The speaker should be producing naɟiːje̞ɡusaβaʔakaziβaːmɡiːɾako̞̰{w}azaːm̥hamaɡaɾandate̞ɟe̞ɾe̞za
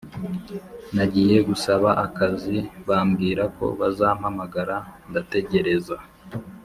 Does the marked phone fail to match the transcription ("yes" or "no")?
yes